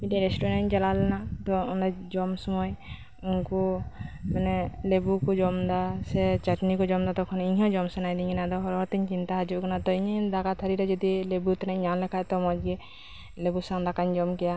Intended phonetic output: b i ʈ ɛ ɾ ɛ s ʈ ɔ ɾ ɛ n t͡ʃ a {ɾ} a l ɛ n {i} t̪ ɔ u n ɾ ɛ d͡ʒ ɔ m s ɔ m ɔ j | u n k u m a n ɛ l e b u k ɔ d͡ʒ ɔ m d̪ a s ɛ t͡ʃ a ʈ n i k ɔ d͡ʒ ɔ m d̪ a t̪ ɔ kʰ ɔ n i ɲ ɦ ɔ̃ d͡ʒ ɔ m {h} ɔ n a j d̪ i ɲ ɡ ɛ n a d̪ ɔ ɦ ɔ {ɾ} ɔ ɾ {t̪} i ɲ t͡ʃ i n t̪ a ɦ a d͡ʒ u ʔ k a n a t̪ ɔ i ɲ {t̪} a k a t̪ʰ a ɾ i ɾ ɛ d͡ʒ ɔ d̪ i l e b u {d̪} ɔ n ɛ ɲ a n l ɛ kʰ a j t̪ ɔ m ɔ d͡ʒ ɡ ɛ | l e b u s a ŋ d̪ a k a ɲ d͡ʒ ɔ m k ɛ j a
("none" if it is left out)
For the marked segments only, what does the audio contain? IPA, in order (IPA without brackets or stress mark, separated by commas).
l, a, s, ɾ, t̪, d̪, t̪